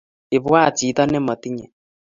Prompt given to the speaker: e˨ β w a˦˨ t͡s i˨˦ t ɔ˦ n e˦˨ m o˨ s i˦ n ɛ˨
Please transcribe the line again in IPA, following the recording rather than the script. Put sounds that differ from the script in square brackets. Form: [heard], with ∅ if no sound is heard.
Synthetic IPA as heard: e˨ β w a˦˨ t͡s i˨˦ t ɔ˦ n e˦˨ m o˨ [t] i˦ [ɲ] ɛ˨

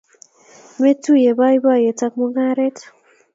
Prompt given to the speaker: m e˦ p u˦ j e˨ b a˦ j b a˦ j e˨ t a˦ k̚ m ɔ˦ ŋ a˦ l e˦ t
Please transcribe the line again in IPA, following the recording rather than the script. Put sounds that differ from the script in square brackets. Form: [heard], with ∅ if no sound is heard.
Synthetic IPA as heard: m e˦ [t] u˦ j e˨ b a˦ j b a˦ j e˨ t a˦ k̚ m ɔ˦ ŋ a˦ [ɾ] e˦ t

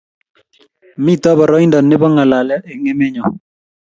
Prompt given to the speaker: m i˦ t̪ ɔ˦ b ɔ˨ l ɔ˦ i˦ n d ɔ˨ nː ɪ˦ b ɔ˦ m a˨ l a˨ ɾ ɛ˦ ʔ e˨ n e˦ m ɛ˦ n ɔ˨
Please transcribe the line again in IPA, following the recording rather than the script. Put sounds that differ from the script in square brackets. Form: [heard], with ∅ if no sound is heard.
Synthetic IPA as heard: m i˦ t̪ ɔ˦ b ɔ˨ [ɾ] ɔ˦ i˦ n d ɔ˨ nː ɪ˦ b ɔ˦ [ŋ] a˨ l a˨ [l] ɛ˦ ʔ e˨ [ŋ] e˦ m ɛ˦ [ɲ] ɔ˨

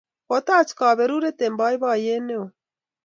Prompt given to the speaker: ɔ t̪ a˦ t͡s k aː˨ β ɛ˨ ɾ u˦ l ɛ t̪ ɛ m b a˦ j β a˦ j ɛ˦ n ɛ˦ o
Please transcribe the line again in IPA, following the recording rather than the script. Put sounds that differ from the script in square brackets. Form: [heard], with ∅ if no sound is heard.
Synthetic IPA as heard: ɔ t̪ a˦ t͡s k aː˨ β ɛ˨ ɾ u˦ [ɾ] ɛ t̪ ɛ m b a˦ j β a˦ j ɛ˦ n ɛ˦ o

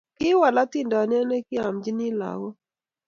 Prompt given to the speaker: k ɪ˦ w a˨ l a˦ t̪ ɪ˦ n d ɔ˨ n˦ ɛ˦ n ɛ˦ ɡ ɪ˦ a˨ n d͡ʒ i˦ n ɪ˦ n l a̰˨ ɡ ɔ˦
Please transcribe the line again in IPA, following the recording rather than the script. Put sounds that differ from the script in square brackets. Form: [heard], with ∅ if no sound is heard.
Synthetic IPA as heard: k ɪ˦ w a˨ l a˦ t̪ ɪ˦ n d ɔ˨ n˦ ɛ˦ n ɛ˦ [k] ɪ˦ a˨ [m] d͡ʒ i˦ n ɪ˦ [∅] l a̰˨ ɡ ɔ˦

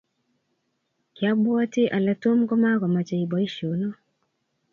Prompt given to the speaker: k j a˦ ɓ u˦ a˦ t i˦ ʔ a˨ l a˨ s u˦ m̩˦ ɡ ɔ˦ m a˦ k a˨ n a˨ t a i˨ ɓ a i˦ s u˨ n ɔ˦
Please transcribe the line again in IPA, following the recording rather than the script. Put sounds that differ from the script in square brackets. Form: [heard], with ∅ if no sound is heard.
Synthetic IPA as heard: k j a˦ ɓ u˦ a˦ t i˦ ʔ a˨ l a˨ [t] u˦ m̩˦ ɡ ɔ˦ m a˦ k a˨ [m] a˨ [t͡ʃ] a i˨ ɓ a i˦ [ʃ] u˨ n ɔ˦

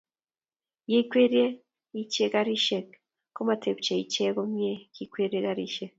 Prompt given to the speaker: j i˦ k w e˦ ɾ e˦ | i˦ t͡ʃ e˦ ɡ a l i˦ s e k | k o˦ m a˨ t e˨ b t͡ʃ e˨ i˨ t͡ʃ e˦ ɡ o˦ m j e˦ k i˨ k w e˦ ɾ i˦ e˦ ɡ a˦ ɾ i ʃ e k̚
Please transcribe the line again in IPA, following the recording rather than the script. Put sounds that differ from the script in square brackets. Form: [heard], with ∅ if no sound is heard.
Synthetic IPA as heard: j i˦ k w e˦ ɾ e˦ | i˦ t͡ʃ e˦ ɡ a [ɾ] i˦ [ʃ] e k | k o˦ m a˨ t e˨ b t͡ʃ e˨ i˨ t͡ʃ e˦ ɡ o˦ m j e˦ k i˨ k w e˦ ɾ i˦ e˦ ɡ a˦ ɾ i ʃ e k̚

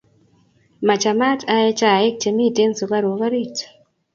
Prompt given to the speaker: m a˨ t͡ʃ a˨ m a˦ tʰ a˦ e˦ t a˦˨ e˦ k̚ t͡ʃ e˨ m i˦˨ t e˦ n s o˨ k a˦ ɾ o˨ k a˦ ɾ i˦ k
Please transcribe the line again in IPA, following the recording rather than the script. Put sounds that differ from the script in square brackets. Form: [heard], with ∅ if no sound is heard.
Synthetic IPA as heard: m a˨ t͡ʃ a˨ m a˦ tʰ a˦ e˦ [t͡ʃ] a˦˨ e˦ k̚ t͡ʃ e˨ m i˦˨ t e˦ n s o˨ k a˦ ɾ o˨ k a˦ ɾ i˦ [t]

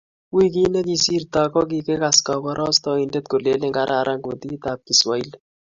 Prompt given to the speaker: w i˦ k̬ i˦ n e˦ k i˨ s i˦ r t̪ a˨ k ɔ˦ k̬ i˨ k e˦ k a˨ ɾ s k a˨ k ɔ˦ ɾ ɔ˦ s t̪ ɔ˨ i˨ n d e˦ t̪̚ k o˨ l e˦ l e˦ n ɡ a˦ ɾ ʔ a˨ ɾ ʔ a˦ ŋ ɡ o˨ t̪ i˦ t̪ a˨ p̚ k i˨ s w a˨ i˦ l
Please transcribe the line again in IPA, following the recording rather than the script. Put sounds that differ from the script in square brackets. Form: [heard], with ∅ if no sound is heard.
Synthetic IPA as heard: w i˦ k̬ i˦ n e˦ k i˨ s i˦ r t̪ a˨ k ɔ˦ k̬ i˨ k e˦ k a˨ [∅] s k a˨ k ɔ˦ ɾ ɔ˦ s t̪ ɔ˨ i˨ n d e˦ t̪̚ k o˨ l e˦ l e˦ [ŋ] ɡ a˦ ɾ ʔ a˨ ɾ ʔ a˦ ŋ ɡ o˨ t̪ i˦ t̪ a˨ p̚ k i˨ s w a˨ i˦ l

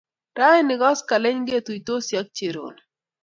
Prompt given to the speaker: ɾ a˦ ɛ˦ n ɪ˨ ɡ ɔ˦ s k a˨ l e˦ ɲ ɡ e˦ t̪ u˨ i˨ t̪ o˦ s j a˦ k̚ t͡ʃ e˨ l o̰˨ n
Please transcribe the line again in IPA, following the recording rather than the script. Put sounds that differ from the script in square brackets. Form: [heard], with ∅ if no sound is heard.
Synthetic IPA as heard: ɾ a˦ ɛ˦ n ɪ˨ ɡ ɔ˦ s k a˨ l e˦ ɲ ɡ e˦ t̪ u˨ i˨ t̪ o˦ s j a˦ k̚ t͡ʃ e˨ [ɾ] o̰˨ n

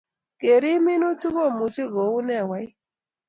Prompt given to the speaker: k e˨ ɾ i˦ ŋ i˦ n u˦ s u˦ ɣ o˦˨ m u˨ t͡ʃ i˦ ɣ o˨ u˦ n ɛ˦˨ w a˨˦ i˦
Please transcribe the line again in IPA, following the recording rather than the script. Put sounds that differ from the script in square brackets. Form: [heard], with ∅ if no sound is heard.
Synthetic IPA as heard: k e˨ ɾ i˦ [m] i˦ n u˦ [t] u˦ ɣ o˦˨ m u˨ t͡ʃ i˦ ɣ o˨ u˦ n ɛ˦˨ w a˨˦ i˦

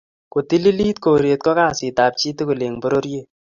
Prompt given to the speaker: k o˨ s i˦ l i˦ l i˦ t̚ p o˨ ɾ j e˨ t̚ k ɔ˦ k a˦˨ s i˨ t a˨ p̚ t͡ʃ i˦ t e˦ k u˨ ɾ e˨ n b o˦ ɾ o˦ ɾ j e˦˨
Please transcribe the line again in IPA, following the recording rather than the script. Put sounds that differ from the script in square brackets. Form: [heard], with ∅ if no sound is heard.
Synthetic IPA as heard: k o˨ [t] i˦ l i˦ l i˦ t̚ [k] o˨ ɾ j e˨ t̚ k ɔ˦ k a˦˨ s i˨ t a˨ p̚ t͡ʃ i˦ t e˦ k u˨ [l] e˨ [ŋ] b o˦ ɾ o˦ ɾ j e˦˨

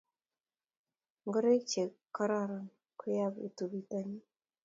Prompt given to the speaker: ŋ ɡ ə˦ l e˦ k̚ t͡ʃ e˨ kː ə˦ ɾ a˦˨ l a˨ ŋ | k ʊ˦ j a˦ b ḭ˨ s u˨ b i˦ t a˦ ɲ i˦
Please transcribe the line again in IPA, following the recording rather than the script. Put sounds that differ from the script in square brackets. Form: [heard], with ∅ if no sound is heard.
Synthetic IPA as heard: ŋ ɡ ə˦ [ɾ] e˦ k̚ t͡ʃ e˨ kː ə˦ ɾ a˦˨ [ɾ] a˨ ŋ | k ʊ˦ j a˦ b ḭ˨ [t] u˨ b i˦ t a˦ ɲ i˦

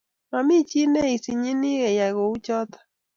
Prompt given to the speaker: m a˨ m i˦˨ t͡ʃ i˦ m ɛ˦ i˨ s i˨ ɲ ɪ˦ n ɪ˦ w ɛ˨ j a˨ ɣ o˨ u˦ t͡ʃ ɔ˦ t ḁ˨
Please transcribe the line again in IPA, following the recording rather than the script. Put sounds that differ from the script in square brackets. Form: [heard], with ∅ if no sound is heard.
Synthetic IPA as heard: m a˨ m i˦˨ t͡ʃ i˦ [n] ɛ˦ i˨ s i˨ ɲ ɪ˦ n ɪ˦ [ɣ] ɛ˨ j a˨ ɣ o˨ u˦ t͡ʃ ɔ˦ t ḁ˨

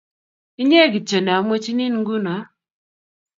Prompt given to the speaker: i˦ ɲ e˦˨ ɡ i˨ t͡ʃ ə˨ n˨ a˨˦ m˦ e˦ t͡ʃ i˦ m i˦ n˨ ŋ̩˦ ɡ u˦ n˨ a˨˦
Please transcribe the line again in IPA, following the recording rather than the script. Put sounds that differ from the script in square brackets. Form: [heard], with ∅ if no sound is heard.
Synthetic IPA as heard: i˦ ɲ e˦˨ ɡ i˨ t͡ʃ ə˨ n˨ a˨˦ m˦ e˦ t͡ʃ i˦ [n] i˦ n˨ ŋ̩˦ ɡ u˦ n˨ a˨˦

